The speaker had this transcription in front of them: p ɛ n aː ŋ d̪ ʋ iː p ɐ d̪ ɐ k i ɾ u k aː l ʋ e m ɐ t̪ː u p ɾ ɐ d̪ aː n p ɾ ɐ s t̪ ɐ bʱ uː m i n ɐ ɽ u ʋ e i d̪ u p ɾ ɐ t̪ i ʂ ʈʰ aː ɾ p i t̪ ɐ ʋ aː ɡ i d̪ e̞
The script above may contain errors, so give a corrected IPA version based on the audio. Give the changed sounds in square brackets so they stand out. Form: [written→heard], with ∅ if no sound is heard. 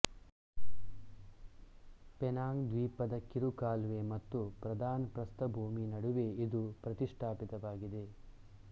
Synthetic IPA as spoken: p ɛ n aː ŋ d̪ ʋ iː p ɐ d̪ ɐ k i ɾ u k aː l ʋ e m ɐ t̪ː u p ɾ ɐ d̪ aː n p ɾ ɐ s t̪ ɐ bʱ uː m i n ɐ ɽ u ʋ e i d̪ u p ɾ ɐ t̪ i ʂ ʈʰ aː [ɾ→∅] p i t̪ ɐ ʋ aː ɡ i d̪ e̞